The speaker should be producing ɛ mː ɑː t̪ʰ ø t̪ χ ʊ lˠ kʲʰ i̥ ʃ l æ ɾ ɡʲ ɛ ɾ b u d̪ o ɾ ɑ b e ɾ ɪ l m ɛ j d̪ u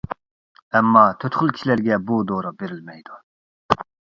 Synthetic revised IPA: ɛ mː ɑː t̪ʰ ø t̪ χ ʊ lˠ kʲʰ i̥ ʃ l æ ɾ ɡʲ ɛ b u d̪ o ɾ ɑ b e ɾ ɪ l m ɛ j d̪ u